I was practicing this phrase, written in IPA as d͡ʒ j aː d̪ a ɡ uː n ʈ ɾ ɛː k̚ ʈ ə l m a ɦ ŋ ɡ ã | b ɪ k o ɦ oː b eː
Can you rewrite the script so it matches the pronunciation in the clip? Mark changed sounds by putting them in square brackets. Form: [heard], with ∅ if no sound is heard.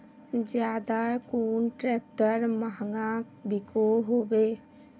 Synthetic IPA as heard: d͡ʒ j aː d̪ a [k] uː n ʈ ɾ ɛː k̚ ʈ ə [ɾ] m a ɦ ŋ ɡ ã | b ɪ k o ɦ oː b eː